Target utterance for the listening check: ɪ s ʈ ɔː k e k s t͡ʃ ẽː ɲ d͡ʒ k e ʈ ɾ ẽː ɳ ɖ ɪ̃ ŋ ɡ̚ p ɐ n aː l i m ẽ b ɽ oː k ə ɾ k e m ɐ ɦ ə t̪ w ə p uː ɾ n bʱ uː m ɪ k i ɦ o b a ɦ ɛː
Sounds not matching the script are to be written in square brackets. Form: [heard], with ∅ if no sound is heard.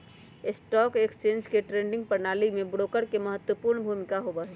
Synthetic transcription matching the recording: ɪ s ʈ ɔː k e k s t͡ʃ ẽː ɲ d͡ʒ k e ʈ ɾ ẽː ɳ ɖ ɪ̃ ŋ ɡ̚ p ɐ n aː l i m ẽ b ɽ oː k ə ɾ k e m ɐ ɦ ə t̪ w ə p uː ɾ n bʱ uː m ɪ k [a] ɦ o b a ɦ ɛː